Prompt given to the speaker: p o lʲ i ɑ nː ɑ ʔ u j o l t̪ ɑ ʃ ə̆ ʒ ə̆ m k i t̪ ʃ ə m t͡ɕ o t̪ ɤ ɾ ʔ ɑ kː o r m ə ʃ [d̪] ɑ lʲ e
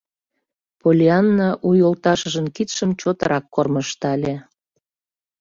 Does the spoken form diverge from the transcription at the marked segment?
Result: yes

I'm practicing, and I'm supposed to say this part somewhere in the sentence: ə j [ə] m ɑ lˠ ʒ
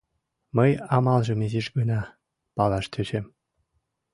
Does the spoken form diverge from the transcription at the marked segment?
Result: yes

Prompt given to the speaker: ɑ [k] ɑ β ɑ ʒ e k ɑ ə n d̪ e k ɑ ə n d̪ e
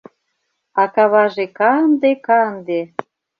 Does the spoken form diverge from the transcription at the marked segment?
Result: no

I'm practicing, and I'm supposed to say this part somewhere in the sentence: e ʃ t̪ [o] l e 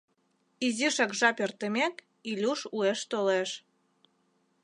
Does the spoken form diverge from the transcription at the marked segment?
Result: no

